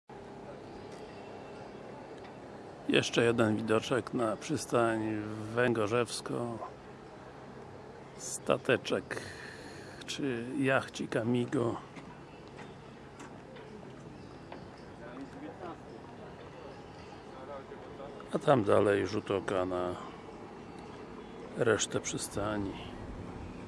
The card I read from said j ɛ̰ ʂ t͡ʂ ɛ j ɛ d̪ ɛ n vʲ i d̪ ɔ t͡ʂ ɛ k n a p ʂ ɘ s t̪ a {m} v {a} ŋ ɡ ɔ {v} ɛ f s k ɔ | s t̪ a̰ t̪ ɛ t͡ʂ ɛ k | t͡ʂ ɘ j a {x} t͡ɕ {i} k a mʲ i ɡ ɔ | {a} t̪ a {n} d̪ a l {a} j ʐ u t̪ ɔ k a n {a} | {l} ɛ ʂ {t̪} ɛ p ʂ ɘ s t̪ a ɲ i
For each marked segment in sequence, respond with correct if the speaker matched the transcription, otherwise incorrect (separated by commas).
incorrect, incorrect, incorrect, correct, correct, correct, incorrect, incorrect, correct, incorrect, correct